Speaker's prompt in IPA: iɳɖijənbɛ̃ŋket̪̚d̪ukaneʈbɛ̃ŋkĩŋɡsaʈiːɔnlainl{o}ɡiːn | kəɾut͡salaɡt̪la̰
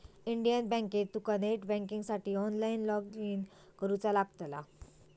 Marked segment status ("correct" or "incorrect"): incorrect